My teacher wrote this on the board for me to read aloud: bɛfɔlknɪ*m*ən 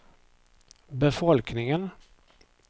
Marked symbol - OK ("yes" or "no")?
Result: no